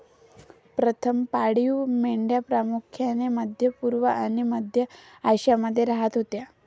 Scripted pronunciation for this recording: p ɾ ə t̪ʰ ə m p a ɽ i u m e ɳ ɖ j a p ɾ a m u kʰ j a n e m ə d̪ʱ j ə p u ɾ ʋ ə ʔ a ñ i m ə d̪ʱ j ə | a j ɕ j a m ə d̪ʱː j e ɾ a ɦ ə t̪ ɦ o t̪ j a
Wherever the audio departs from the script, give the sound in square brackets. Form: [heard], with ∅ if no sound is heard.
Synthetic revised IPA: p ɾ ə t̪ʰ ə m p a ɽ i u m e ɳ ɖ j a p ɾ a m u kʰ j a n e m ə d̪ʱ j ə p u ɾ ʋ ə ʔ a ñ i m ə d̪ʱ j ə | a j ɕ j a m ə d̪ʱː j e ɾ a ɦ ə t̪ ɦ o t̪ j a